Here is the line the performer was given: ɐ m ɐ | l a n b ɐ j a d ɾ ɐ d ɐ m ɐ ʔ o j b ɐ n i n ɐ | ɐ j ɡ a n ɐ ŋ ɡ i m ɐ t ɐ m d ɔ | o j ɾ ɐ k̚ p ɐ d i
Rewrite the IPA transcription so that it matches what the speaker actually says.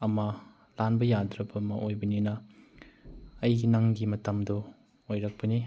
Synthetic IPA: ɐ m ɐ | l a n b ɐ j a d ɾ ɐ b ɐ m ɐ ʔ o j b ɐ n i n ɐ | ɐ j ɡ i n ɐ ŋ ɡ i m ɐ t ɐ m d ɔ | o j ɾ ɐ k̚ p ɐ n i